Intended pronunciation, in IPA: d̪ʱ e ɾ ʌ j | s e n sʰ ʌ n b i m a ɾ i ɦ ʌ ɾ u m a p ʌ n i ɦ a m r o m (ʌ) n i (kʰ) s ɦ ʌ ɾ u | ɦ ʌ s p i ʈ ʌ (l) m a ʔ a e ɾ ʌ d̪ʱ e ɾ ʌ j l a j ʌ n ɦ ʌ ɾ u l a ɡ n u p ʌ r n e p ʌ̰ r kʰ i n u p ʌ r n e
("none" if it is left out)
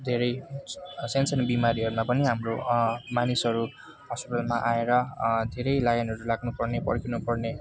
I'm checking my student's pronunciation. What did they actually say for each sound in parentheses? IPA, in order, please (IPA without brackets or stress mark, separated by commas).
a, none, l